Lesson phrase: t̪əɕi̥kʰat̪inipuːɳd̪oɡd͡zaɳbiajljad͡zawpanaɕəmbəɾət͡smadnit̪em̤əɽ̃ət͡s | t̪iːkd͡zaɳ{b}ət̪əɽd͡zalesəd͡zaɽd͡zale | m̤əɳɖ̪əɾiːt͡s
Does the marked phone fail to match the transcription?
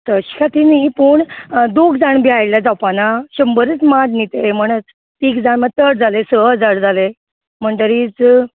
yes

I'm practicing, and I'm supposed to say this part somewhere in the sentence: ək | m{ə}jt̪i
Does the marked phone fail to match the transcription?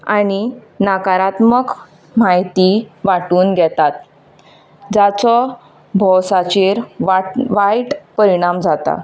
yes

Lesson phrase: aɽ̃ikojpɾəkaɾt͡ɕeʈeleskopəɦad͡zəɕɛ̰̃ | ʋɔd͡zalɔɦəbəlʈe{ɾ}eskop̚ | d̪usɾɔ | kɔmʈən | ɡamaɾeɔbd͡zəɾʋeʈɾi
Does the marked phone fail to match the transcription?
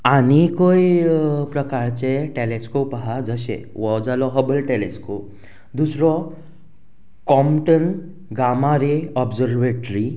yes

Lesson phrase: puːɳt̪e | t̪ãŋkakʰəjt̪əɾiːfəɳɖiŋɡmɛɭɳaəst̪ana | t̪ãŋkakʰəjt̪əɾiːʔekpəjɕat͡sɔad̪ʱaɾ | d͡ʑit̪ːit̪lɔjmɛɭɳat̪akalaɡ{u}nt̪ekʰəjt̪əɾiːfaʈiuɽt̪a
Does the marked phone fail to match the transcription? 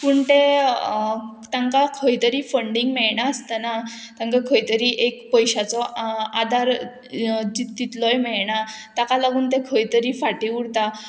yes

